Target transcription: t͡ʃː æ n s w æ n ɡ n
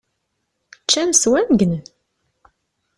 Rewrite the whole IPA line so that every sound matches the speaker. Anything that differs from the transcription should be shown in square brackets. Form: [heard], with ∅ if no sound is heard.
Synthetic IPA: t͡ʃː æ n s w æ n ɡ n